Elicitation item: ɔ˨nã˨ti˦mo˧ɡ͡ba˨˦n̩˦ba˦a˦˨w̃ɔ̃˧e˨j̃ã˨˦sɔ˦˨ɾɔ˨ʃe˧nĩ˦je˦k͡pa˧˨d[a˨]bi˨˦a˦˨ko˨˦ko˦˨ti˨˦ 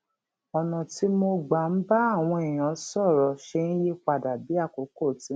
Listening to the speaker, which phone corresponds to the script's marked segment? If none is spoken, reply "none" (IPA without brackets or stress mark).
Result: a˨